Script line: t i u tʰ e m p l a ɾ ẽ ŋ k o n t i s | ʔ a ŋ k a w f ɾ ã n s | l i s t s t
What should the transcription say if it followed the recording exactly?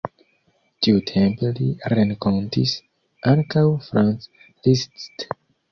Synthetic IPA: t i u tʰ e m p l i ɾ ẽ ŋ k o n t i s | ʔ a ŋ k a w f ɾ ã n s | l i s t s t